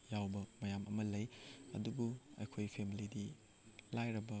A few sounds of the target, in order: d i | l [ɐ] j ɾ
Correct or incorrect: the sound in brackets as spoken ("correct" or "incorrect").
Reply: incorrect